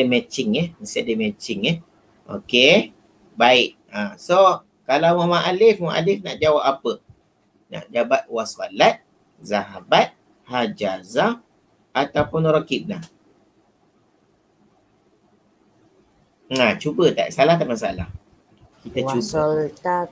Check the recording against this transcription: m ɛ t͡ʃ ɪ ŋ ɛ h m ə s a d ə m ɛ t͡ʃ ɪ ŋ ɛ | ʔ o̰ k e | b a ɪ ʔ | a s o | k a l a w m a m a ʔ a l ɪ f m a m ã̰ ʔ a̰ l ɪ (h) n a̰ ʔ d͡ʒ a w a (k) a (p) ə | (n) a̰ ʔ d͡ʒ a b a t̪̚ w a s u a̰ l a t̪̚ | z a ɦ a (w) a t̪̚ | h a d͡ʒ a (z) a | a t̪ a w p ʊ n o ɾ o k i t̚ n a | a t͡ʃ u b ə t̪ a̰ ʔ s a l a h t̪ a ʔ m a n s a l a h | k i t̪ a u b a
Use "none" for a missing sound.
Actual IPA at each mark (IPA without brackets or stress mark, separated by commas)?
f, p, p, n, b, z